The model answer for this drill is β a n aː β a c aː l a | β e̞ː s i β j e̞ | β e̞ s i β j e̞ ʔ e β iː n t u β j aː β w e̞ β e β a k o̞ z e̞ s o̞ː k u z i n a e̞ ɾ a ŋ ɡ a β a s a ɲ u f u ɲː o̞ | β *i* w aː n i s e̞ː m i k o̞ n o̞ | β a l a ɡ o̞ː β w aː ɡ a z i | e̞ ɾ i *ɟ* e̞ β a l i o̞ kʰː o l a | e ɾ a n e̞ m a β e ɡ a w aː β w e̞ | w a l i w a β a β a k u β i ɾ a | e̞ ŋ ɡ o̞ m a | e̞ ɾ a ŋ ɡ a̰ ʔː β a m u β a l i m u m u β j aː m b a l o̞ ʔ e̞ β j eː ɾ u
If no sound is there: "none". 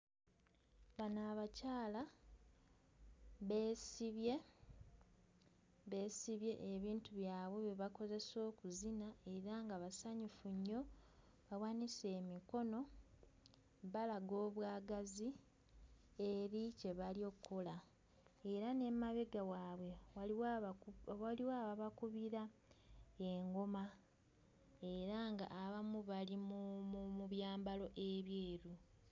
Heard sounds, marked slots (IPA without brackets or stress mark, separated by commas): a, c